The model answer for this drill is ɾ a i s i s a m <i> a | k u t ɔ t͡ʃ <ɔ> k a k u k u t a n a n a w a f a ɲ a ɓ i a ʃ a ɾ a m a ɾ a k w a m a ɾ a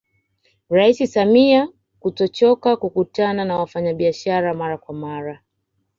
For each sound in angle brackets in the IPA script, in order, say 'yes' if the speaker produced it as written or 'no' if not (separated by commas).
yes, yes